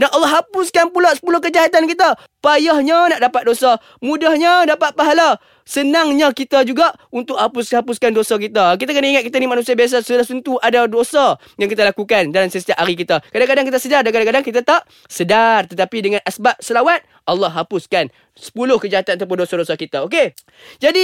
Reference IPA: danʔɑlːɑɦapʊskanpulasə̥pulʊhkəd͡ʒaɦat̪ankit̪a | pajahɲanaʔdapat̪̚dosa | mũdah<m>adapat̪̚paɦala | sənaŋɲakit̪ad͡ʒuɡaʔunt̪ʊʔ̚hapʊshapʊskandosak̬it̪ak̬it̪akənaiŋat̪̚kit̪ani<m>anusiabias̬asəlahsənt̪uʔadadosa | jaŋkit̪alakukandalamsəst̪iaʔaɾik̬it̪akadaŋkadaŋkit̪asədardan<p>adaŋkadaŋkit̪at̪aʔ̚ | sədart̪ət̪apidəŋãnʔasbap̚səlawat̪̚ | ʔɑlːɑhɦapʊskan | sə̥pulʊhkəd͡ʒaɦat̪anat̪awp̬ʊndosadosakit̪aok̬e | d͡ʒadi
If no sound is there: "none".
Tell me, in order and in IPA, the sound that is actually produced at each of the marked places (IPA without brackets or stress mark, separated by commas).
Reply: ɲ, m, k